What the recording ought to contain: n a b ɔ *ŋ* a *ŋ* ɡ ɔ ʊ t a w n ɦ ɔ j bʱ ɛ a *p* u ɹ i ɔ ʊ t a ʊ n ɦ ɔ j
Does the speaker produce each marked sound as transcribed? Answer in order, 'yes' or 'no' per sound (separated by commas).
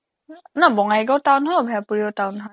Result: yes, no, yes